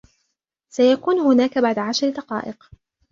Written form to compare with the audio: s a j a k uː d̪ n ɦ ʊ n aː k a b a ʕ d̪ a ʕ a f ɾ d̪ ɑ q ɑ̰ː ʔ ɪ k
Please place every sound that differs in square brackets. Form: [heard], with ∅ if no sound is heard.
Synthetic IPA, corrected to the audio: s a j a k uː [∅] n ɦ ʊ n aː k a b a ʕ d̪ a ʕ a [ʃ] ɾ d̪ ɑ q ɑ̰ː ʔ ɪ [q]